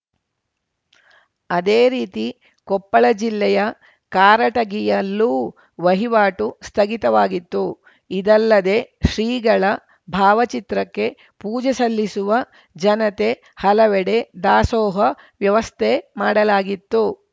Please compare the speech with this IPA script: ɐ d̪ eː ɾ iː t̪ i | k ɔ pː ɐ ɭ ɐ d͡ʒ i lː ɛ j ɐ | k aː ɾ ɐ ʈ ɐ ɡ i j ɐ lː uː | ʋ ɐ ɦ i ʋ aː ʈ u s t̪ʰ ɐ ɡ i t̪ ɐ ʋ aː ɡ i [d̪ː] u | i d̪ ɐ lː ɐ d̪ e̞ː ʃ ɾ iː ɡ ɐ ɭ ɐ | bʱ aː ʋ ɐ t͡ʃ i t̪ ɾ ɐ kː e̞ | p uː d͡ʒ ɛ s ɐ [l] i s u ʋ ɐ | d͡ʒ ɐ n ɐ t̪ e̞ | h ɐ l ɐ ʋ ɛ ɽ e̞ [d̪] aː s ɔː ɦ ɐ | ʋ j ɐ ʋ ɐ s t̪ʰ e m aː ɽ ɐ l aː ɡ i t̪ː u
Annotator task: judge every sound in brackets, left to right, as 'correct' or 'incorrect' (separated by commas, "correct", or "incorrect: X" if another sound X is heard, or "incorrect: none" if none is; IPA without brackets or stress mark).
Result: incorrect: t̪ː, incorrect: lː, correct